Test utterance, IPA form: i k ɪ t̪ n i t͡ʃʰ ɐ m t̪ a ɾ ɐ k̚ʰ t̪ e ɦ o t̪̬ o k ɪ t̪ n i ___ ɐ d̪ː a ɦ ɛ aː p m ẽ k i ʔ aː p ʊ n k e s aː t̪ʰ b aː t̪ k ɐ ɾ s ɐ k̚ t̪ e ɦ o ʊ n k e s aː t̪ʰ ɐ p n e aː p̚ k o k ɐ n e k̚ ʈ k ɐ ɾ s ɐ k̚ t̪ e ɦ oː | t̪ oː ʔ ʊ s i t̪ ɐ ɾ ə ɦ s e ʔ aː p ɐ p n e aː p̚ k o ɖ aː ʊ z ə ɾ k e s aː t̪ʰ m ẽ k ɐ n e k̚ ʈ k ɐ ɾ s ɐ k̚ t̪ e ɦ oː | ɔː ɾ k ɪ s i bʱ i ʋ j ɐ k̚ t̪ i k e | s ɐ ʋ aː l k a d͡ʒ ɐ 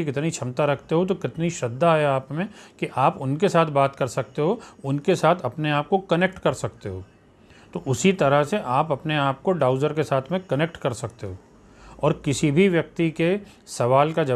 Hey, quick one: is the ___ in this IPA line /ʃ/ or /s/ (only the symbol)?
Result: ʃ